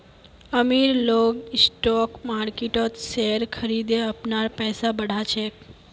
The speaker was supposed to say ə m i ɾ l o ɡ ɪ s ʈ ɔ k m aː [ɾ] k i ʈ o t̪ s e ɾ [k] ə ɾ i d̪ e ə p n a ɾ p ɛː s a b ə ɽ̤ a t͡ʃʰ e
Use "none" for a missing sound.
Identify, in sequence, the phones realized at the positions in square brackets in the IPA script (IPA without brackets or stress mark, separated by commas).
ɾ, kʰ